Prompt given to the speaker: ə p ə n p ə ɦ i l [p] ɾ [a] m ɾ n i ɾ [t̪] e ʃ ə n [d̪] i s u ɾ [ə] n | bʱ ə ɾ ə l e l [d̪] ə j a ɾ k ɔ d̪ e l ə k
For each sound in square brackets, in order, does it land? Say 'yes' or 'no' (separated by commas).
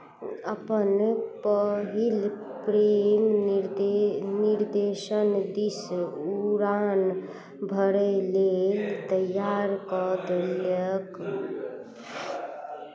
yes, no, no, yes, no, no